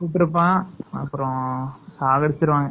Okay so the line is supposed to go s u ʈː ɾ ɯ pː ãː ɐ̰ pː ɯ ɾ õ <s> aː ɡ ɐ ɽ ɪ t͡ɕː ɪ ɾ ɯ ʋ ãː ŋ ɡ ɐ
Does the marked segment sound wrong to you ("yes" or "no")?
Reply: no